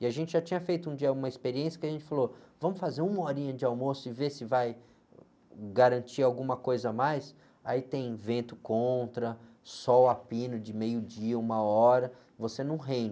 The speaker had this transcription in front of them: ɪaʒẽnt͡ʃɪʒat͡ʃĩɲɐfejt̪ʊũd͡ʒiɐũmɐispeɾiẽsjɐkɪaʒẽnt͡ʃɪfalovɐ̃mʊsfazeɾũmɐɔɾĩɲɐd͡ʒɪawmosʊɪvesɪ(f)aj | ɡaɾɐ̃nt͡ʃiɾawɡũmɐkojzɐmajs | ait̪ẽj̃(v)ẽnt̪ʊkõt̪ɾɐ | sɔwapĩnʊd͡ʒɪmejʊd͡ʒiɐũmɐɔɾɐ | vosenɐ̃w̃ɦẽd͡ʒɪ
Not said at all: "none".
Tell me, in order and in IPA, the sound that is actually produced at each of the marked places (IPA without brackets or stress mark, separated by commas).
v, v